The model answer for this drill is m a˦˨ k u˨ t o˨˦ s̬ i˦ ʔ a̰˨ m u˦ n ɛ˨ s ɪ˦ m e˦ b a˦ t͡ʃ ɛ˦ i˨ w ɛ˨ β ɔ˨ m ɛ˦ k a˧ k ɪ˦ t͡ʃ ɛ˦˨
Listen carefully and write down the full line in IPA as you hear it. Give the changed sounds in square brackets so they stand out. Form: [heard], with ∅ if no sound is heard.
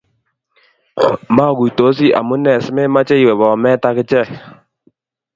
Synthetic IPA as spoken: m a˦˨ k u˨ t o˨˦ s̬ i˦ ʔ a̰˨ m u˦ n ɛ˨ s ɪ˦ m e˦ [m] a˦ t͡ʃ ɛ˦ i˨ w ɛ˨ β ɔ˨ m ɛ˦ [t] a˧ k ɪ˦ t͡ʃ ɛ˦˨